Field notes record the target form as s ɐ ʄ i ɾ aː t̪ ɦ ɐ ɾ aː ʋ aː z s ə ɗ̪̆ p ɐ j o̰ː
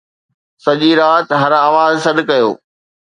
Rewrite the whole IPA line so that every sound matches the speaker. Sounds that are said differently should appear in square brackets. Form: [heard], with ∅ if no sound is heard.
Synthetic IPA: s ɐ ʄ i ɾ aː t̪ ɦ ɐ ɾ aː ʋ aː z s [ɐ] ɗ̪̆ [k] ɐ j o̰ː

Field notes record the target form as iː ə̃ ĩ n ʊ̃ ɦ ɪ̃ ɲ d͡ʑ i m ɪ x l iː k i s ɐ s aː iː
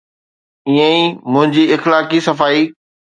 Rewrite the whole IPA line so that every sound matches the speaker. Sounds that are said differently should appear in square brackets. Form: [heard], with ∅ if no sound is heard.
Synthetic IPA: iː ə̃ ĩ [m] ʊ̃ ɦ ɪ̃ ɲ d͡ʑ i [∅] ɪ x l [aː] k i s ɐ [f] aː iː

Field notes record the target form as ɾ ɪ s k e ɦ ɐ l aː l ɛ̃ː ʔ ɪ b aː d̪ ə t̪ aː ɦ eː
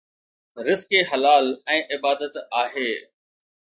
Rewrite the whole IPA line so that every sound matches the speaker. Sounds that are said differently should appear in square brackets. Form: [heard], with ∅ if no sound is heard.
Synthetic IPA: ɾ ɪ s k e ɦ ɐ l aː l ɛ̃ː ʔ ɪ b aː d̪ ə t̪ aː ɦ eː

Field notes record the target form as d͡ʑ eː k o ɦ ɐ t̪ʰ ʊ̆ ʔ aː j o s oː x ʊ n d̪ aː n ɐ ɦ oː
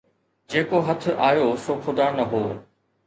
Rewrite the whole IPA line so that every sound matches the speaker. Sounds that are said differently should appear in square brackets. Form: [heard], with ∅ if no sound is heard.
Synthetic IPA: d͡ʑ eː k o ɦ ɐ t̪ʰ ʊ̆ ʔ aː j o s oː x ʊ [∅] d̪ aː n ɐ ɦ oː

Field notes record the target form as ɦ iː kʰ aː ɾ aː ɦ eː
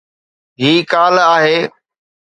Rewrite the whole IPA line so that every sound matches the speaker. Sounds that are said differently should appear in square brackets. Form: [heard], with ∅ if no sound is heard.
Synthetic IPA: ɦ iː [k] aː [l] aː ɦ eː

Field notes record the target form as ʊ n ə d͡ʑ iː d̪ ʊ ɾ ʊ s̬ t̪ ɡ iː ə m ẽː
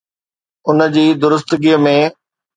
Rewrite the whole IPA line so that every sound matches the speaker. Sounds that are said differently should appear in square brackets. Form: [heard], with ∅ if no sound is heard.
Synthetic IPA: ʊ n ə d͡ʑ iː d̪ ʊ ɾ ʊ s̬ t̪ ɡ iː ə m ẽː

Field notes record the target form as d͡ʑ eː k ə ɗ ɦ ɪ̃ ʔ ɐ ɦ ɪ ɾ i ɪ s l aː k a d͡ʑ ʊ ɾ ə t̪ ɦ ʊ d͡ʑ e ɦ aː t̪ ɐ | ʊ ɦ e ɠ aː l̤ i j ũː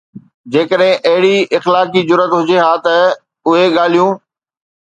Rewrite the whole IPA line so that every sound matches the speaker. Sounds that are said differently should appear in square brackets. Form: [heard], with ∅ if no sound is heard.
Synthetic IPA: d͡ʑ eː k ə ɗ ɦ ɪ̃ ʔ ɐ ɦ ɪ [ɽ] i ɪ [x] l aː k [i] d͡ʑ ʊ ɾ ə t̪ ɦ ʊ d͡ʑ e ɦ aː t̪ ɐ | ʊ ɦ e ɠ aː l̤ i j ũː

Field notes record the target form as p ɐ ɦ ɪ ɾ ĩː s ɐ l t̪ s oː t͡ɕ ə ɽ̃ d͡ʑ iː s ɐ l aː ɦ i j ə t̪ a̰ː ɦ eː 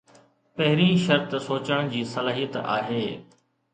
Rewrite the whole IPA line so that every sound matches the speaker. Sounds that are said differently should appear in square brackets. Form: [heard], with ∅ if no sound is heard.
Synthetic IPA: p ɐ ɦ ɪ ɾ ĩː [ʃ] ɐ [ɾ] t̪ s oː t͡ɕ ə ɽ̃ d͡ʑ iː s ɐ l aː ɦ i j ə t̪ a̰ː ɦ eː

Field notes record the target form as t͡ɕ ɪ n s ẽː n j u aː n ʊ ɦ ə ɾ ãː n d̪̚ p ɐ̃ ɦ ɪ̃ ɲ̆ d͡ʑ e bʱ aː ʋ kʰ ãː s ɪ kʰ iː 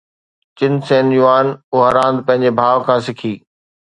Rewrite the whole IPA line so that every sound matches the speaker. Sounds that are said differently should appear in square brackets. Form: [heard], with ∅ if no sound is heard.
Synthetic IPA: t͡ɕ ɪ n s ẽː n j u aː n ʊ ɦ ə ɾ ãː n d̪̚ p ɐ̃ ɦ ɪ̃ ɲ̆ d͡ʑ e bʱ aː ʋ kʰ ãː s ɪ kʰ iː

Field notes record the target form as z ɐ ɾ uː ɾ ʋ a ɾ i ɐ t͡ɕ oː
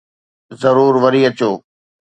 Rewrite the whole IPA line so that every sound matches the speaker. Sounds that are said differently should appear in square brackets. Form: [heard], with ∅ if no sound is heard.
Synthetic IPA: z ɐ ɾ uː ɾ ʋ [ɐ] ɾ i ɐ t͡ɕ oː

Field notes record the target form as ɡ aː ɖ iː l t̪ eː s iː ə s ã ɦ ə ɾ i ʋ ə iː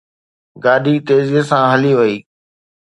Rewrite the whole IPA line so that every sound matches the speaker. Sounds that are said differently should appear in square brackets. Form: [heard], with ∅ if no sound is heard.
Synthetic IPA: ɡ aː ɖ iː [∅] t̪ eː [z] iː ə s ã ɦ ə [l] i ʋ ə iː

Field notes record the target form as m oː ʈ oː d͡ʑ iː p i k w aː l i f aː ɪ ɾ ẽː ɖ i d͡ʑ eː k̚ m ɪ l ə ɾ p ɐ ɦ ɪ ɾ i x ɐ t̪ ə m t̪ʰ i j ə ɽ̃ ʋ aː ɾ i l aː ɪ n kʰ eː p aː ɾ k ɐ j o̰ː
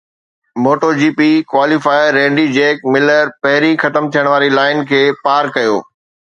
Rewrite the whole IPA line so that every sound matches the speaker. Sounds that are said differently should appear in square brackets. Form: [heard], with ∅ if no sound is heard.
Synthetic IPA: m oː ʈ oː d͡ʑ iː p i k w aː l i f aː ɪ ɾ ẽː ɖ i d͡ʑ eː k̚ m ɪ l ə ɾ p ɐ ɦ ɪ ɾ i x ɐ t̪ ə m t̪ʰ i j ə ɽ̃ ʋ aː ɾ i l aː ɪ n kʰ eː p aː ɾ k ɐ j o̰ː

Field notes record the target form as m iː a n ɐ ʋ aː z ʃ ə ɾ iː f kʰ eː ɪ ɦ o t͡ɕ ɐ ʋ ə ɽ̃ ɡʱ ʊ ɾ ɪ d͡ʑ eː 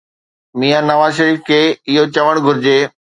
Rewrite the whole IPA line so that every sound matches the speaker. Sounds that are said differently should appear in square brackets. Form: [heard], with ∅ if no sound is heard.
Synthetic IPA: m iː a n ɐ ʋ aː z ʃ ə ɾ iː f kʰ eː ɪ ɦ o t͡ɕ ɐ ʋ ə ɽ̃ ɡʱ ʊ ɾ ɪ d͡ʑ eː

